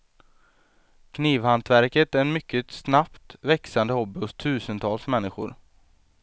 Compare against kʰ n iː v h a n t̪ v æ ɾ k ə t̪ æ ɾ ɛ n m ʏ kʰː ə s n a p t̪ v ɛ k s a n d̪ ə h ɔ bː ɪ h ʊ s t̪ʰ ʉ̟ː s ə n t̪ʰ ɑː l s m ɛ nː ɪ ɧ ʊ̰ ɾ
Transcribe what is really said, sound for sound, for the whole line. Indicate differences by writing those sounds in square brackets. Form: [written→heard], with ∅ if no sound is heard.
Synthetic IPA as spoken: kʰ n iː v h a n t̪ v æ ɾ k ə t̪ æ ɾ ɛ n m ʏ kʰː ə s n a p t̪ v ɛ k s a n d̪ ə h ɔ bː ɪ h ʊ s t̪ʰ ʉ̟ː s ə n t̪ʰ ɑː l s m ɛ nː ɪ ɧ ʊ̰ ɾ